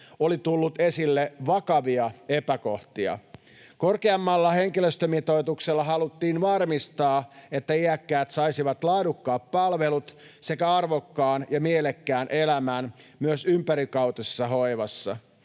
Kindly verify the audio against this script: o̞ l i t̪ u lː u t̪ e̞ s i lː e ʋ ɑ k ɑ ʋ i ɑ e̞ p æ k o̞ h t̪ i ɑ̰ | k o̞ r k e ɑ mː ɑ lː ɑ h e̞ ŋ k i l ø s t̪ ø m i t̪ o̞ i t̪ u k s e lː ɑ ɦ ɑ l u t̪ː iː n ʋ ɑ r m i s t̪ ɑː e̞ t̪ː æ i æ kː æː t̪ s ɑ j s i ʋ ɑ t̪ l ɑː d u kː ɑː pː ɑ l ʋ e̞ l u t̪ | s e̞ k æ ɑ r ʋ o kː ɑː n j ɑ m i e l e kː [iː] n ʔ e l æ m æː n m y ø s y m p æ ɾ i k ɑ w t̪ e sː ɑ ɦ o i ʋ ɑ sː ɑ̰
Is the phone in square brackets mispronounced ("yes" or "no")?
yes